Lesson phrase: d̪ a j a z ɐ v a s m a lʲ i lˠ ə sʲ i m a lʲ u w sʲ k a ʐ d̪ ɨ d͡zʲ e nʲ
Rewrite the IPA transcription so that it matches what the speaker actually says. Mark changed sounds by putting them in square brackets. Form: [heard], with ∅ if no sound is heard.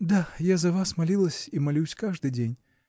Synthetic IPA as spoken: d̪ a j a z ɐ v a s m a lʲ i lˠ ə sʲ i m a lʲ u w sʲ k a ʐ d̪ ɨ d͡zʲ e nʲ